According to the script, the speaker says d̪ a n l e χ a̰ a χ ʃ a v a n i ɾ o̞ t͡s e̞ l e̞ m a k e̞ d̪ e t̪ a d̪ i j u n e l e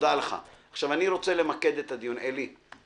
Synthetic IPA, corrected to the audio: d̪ a l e χ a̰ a χ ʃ a v a n i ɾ o̞ t͡s e̞ l e̞ m a k e̞ d̪ e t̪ a d̪ i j u n e l i